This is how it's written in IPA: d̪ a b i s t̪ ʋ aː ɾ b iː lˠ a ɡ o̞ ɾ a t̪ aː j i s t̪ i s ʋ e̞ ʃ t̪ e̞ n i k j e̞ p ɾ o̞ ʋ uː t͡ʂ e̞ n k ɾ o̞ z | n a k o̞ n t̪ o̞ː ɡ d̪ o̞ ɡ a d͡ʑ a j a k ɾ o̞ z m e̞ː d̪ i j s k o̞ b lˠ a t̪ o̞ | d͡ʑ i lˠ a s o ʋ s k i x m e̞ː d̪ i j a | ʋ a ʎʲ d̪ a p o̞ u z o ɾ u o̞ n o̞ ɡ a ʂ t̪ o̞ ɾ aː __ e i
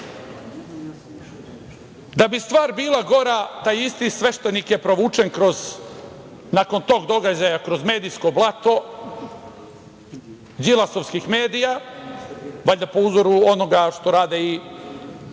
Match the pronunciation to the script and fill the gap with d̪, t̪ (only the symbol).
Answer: d̪